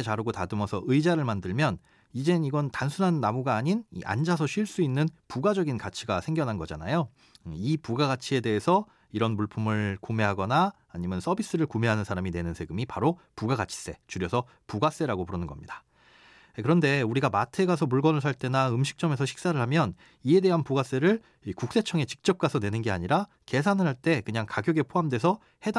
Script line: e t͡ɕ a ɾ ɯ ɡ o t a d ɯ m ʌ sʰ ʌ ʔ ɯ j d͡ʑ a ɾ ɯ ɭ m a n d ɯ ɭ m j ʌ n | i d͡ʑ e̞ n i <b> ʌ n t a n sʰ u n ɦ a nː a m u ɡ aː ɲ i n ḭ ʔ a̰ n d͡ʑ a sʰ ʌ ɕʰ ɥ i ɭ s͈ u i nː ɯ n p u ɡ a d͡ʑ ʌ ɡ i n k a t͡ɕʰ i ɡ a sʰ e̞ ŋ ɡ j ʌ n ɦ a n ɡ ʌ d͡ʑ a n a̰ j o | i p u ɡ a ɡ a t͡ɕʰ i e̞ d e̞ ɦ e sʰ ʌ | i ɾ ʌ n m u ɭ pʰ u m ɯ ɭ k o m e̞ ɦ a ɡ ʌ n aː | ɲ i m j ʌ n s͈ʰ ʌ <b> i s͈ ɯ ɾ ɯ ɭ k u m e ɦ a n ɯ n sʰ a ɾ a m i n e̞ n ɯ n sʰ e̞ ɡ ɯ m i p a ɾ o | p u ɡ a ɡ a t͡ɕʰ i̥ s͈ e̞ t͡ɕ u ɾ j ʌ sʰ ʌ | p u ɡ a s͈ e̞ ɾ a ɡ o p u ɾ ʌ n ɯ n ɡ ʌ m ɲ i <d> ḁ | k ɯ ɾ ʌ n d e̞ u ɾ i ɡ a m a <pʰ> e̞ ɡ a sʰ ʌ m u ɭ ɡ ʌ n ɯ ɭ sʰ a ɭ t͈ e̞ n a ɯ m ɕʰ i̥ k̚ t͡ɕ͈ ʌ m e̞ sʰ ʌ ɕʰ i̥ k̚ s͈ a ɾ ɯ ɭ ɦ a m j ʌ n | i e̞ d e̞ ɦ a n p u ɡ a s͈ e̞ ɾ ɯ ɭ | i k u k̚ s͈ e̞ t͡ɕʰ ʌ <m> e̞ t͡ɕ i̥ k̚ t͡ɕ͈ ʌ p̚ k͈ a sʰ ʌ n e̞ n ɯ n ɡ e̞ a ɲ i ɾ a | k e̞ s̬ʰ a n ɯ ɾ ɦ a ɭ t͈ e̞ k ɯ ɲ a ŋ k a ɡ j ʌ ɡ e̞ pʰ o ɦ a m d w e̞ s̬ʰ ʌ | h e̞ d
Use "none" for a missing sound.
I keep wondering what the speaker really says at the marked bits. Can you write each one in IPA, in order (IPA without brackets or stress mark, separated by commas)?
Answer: ɡ, b, d, tʰ, ŋ